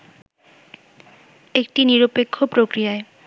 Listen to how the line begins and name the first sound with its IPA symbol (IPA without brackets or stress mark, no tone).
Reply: e